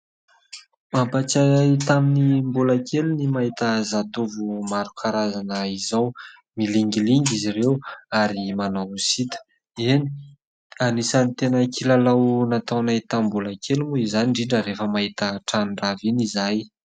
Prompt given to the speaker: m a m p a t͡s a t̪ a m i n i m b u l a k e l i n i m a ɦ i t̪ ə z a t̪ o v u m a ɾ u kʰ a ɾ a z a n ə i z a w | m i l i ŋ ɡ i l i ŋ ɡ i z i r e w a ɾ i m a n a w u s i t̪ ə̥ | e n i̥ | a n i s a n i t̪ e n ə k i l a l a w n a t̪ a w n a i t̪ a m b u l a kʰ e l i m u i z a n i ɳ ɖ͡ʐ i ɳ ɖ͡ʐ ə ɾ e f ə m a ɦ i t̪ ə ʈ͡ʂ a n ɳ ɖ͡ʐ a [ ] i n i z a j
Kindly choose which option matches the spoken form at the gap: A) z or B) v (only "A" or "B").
B